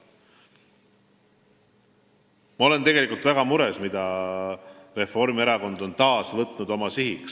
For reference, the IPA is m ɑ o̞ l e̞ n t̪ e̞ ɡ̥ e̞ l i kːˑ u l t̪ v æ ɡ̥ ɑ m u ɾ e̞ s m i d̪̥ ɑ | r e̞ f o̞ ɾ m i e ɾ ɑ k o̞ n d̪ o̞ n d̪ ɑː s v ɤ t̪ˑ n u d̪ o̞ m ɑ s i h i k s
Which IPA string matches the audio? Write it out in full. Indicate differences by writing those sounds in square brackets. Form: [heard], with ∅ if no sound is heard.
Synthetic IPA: m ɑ o̞ l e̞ n t̪ e̞ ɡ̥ e̞ l i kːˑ u l t̪ v æ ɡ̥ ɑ m u ɾ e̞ s m i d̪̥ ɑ | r e̞ f o̞ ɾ m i e ɾ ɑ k o̞ n d̪ o̞ n [t̪] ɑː s v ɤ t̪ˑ n u d̪ o̞ m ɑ s i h i k s